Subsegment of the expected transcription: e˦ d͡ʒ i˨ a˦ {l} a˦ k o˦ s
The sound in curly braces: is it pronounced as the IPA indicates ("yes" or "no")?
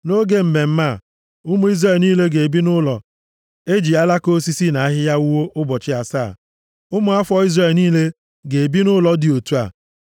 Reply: yes